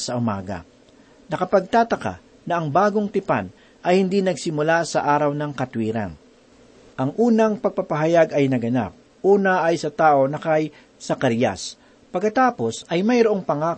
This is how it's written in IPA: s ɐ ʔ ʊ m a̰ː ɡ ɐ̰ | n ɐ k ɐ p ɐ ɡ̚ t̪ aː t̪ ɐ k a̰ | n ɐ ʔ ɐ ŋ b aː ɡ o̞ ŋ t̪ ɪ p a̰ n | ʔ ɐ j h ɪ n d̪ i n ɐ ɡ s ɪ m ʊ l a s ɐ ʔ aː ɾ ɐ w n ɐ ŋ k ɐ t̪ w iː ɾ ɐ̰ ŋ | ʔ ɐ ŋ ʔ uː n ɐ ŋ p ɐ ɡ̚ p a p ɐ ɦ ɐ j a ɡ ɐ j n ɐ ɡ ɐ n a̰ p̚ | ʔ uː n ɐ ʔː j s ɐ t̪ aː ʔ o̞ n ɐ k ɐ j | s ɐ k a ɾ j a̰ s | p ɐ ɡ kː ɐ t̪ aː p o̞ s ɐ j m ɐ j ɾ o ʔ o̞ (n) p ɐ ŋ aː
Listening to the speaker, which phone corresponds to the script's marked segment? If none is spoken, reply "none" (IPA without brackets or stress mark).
ŋ